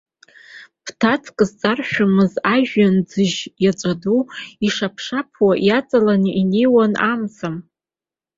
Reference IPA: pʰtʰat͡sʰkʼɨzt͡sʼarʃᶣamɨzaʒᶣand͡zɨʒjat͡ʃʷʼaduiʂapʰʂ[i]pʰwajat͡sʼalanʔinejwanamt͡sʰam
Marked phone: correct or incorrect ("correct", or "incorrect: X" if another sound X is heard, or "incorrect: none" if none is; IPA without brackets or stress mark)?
incorrect: a